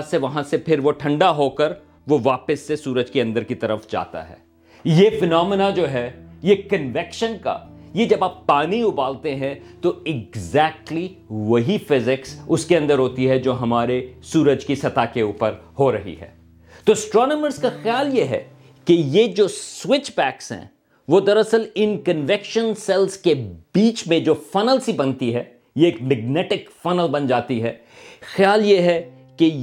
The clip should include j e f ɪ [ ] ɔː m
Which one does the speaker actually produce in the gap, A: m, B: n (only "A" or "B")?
B